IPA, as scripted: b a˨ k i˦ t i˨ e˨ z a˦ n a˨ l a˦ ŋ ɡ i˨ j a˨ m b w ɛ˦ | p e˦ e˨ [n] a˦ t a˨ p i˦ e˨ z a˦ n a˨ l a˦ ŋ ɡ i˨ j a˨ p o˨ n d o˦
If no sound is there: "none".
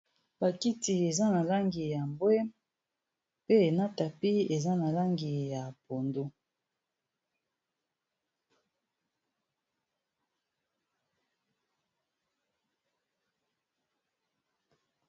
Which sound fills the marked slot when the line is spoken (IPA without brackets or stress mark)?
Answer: n